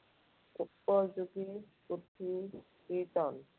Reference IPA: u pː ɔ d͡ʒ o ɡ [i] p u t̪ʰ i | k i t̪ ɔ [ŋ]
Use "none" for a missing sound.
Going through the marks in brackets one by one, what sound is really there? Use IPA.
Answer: i, n

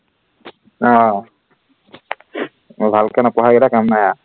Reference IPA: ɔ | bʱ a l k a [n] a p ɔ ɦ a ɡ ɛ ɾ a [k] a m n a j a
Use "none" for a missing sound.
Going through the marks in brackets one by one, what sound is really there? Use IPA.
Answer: n, k

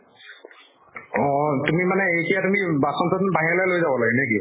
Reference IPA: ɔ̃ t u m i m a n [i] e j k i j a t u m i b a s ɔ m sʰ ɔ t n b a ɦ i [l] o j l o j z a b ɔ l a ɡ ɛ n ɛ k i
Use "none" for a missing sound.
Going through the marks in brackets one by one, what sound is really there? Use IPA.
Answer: ɛ, l

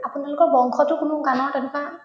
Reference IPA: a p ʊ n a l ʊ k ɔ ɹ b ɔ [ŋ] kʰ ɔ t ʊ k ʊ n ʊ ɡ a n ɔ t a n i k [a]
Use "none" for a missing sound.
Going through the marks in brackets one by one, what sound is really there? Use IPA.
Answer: ŋ, a

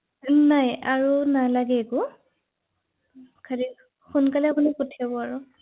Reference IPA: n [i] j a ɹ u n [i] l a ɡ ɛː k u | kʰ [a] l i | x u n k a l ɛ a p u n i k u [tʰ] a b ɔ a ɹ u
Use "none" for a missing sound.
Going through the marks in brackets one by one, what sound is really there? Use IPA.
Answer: a, a, a, tʰ

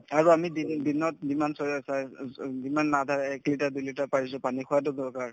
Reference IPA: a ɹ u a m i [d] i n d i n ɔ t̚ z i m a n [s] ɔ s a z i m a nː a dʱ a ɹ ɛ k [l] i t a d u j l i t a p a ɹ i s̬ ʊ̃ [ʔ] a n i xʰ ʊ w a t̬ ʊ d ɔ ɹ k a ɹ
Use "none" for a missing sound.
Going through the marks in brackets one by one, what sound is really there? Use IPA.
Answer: d, s, l, p

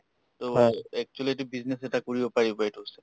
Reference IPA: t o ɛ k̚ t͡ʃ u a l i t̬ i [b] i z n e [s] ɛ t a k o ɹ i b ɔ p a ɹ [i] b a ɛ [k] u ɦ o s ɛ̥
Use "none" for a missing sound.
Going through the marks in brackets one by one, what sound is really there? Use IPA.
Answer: b, s, i, t

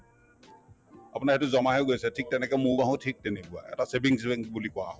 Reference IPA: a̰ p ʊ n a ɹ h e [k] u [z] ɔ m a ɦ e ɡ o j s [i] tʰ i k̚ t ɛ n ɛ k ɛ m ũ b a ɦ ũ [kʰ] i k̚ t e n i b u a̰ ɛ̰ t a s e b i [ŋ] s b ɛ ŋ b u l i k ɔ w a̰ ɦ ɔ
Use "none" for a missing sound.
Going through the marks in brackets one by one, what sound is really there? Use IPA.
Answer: t, z, ɛ, tʰ, ŋ

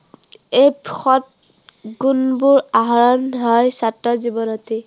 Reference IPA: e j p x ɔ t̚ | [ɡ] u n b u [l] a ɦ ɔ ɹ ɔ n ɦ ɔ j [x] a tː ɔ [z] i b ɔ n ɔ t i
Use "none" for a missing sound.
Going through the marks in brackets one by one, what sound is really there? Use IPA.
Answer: ɡ, ɹ, s, z

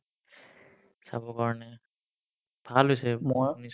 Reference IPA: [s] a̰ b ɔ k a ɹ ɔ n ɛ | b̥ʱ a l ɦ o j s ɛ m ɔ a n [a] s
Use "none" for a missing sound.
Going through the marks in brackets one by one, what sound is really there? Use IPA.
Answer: s, i

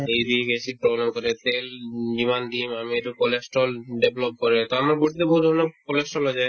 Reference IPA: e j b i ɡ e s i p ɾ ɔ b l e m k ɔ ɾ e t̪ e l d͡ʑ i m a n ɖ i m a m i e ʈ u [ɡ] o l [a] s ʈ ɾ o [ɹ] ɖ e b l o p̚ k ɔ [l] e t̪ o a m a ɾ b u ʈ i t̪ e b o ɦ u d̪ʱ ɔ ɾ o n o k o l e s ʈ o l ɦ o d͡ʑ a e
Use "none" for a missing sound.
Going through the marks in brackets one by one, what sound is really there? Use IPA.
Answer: k, e, l, ɾ

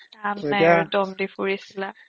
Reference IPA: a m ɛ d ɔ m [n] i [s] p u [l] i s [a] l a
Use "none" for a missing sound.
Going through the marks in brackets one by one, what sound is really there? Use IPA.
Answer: d, none, ɹ, i

